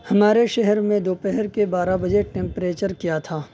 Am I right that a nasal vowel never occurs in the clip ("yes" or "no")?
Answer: no